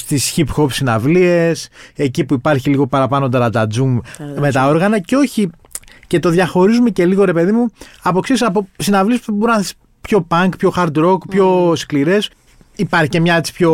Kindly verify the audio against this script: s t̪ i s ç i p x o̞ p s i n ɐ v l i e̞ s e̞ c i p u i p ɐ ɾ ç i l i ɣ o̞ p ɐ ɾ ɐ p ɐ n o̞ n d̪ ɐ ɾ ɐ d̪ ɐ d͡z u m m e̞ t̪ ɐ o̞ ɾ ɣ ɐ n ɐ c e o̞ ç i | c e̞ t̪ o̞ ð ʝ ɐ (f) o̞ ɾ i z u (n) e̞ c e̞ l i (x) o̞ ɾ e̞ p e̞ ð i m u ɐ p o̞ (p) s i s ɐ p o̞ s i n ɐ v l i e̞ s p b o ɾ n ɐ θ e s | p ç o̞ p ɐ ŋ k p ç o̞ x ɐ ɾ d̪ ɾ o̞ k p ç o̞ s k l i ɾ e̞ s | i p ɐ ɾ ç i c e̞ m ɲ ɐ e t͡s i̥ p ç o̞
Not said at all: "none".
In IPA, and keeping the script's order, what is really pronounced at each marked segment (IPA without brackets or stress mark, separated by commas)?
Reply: x, m, ɣ, k